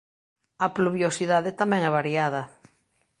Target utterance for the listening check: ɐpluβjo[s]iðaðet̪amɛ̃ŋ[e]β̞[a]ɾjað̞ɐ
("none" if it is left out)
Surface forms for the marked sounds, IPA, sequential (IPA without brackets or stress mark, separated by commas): s, ɛ, a